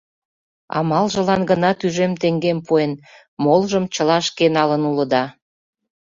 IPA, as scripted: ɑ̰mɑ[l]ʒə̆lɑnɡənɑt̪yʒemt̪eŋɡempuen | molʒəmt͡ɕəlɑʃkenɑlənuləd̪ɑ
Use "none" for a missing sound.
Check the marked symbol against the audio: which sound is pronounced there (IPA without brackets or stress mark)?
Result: l